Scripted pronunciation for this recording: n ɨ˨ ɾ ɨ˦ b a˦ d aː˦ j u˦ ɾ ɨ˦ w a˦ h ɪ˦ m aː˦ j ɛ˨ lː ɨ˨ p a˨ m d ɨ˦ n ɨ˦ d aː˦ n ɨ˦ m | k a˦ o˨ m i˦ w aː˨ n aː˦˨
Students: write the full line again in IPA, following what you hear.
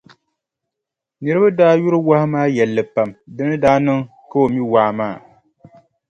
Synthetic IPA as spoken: n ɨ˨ ɾ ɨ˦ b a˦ d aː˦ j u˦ ɾ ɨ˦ w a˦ h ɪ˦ m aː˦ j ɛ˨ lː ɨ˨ p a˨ m d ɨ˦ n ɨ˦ d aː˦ n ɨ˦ ŋ | k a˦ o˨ m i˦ w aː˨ m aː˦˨